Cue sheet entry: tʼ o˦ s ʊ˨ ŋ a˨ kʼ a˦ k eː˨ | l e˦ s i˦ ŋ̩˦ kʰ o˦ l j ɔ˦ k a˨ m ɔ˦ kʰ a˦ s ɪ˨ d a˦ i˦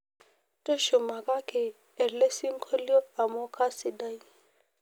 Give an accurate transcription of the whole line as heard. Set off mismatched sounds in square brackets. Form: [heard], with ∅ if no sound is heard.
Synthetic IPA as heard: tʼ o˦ [ʃ] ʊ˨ [m] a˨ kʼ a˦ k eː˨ | l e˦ s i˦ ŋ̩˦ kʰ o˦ l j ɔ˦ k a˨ m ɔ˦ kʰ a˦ s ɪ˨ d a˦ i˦